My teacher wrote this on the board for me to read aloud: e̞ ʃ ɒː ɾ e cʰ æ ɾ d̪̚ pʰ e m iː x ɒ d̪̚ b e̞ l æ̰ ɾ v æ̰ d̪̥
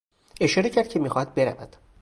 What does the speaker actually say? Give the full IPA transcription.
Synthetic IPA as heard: e̞ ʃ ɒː ɾ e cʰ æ ɾ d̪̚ cʰ e m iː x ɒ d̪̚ b e̞ ɾ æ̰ v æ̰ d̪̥